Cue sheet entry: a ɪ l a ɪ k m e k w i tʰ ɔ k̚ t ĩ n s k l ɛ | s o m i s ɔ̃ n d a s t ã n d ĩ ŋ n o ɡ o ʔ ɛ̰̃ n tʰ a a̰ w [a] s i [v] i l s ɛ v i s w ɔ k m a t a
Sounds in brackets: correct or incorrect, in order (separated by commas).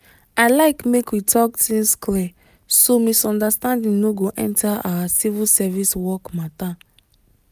correct, correct